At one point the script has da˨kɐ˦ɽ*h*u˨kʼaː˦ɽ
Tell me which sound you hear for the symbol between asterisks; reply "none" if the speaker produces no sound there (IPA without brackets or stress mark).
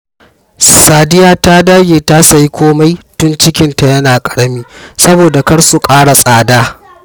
s